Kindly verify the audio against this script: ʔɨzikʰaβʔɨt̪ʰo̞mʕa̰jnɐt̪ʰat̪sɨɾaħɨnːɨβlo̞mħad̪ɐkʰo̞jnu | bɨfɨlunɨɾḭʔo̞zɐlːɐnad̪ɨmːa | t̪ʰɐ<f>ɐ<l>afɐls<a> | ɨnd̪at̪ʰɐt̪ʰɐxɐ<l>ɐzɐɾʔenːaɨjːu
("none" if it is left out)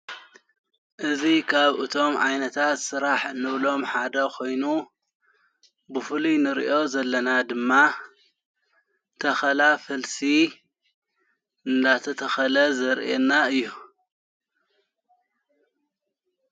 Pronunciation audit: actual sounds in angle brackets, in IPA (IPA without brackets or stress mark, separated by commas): x, l, i, l